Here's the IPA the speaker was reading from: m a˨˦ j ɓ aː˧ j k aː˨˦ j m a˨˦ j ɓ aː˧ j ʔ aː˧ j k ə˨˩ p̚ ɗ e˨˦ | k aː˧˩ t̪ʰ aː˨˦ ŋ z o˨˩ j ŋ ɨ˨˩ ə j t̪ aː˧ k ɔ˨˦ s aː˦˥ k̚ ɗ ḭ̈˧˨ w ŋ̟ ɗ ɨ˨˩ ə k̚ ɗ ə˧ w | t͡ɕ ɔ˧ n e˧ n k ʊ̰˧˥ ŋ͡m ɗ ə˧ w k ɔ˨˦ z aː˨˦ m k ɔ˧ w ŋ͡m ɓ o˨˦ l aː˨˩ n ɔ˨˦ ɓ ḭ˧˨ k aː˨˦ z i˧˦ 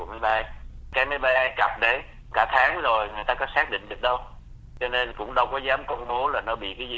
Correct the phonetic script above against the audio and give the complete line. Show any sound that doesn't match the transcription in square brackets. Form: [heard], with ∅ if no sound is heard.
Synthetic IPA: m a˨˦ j ɓ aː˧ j k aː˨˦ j m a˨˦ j ɓ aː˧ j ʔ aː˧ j k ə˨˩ p̚ ɗ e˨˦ | k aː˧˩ t̪ʰ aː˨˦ ŋ z o˨˩ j ŋ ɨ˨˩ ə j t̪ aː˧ k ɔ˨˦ s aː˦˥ k̚ ɗ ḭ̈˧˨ [∅] ŋ̟ ɗ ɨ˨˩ ə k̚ ɗ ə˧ w | t͡ɕ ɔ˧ n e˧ n k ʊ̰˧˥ ŋ͡m ɗ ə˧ w k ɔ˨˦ z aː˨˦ m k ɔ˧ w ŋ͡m ɓ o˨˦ l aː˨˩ n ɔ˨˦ ɓ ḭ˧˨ k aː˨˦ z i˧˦